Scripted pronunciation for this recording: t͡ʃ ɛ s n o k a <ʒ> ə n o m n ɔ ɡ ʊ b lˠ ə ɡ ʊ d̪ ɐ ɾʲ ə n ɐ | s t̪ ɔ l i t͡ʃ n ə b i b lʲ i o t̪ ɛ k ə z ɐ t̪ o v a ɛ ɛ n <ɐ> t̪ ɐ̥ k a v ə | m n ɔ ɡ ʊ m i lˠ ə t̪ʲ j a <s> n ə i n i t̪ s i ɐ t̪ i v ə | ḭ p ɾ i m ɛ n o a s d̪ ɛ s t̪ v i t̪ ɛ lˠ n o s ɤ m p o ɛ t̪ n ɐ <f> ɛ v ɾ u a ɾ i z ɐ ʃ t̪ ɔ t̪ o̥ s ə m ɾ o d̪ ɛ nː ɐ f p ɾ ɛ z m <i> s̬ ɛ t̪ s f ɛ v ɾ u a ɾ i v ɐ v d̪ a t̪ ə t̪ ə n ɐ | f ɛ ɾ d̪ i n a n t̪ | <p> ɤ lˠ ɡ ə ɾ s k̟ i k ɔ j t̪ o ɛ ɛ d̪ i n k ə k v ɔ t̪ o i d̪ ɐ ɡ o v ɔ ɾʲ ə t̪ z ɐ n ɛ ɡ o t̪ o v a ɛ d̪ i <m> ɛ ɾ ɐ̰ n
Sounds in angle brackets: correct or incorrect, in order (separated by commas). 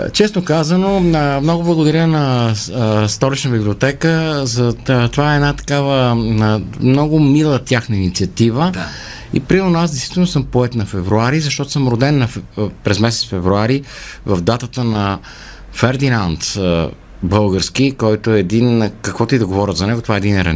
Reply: incorrect, incorrect, incorrect, correct, incorrect, incorrect, incorrect